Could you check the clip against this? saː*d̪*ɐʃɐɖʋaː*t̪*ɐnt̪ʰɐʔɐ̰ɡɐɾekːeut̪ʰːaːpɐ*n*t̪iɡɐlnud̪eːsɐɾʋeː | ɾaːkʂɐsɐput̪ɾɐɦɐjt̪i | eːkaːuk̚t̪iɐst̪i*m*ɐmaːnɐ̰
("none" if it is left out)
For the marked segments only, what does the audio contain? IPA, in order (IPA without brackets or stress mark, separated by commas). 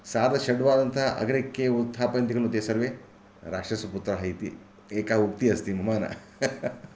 d̪, d̪, n, m